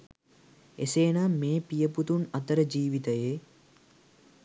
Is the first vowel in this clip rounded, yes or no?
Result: no